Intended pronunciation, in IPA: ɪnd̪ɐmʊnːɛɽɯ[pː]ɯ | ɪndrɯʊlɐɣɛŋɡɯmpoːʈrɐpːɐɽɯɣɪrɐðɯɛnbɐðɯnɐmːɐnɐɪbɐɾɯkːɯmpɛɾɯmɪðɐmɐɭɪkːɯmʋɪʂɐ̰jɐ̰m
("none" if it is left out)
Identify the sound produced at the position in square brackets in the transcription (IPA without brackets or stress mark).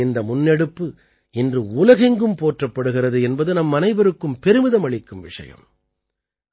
pː